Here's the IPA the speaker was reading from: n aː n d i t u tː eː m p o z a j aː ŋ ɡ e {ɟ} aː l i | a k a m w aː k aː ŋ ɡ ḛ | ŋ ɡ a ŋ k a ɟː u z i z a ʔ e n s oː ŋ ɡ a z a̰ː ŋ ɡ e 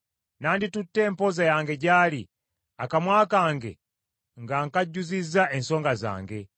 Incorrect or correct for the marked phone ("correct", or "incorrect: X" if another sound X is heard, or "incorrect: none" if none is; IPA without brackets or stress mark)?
correct